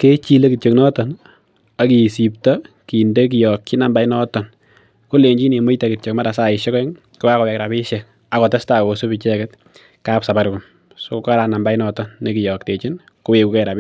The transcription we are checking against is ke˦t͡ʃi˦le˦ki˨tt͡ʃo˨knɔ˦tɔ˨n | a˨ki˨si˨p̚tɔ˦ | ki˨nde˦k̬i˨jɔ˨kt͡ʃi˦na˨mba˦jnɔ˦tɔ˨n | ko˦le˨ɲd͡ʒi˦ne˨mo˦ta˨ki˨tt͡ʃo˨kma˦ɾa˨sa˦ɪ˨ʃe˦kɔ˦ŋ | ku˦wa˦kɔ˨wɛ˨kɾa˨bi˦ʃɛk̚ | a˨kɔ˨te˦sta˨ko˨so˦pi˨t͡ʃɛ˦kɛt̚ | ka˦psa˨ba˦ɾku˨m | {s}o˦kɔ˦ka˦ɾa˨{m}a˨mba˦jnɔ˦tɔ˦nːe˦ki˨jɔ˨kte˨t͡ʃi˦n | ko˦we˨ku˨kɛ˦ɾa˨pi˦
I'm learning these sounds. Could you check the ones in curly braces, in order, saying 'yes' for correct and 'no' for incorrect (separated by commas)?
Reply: yes, no